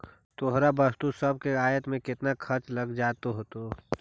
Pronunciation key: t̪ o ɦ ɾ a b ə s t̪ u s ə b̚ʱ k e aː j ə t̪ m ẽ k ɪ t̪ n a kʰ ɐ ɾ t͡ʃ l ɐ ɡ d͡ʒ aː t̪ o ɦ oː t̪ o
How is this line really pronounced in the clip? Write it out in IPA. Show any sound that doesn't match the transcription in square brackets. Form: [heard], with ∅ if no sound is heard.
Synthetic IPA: t̪ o ɦ ɾ a b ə s t̪ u s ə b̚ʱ k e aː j ə t̪ m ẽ k ɪ t̪ n a kʰ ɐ ɾ t͡ʃ l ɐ ɡ d͡ʒ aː t̪ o ɦ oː t̪ o

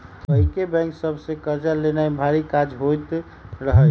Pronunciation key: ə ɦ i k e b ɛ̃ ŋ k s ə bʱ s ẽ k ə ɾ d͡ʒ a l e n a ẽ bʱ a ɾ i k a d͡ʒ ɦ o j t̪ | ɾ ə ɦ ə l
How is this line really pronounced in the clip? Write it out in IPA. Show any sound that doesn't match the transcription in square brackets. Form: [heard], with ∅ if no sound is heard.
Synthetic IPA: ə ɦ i k e b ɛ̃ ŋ k s ə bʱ s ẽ k ə ɾ d͡ʒ a l e n a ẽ bʱ a ɾ i k a d͡ʒ ɦ o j t̪ | ɾ ə ɦ ə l

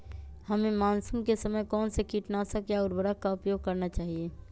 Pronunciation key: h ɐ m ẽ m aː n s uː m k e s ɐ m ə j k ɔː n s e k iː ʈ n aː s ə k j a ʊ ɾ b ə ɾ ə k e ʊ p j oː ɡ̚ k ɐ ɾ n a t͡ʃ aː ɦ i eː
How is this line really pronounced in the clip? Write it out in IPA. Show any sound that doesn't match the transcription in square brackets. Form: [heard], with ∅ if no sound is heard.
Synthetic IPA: h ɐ m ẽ m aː n s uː m k e s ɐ m ə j k ɔː n s e k iː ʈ n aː s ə k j a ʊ ɾ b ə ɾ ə k [a] ʊ p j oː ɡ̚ k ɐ ɾ n a t͡ʃ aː ɦ i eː

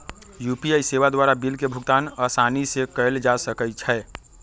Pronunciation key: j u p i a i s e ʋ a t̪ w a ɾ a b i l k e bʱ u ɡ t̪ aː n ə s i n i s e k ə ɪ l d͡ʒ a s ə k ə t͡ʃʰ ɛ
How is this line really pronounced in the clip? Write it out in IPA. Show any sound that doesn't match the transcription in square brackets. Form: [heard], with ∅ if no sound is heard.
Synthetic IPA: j u p i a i s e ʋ a [d̪] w a ɾ a b i l k e bʱ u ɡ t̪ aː n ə s [a] n i s e k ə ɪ l d͡ʒ a s ə k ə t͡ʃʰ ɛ

